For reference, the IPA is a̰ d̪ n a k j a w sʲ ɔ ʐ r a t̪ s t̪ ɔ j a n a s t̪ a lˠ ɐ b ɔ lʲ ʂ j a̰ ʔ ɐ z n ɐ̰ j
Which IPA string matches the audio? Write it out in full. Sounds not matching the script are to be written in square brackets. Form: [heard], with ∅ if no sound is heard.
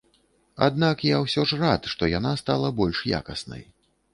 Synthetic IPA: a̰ d̪ n a k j a w sʲ ɔ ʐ r a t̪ [ʂ] t̪ ɔ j a n a s t̪ a lˠ ɐ b ɔ lʲ ʂ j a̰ [k] ɐ [s] n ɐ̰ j